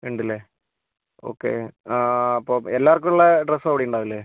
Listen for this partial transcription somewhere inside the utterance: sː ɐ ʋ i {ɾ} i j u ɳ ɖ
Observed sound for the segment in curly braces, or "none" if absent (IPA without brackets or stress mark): ɽ